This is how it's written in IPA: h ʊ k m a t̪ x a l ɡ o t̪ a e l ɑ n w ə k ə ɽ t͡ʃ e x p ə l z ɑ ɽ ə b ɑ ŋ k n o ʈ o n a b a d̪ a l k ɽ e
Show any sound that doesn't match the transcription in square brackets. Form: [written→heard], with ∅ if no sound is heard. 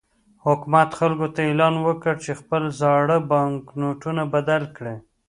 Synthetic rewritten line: h ʊ k m a t̪ x a l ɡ o t̪ a e l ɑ n w ə k ə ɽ t͡ʃ e x p ə l z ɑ ɽ ə b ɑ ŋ k n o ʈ [o→u] n a b a d̪ a l k ɽ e